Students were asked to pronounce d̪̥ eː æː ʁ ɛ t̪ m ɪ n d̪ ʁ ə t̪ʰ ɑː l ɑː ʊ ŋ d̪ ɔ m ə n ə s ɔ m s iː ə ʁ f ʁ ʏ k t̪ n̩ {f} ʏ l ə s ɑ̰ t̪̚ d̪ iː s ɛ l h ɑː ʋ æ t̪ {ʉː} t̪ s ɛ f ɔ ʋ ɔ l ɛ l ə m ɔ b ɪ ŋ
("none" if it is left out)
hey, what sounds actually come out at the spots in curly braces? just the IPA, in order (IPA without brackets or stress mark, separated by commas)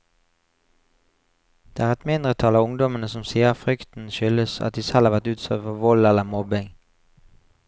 ʃ, ʉː